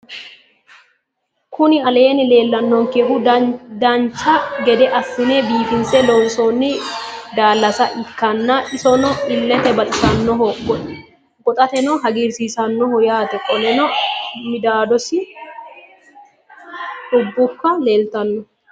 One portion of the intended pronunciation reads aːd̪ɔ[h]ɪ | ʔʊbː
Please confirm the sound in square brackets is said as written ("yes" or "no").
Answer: no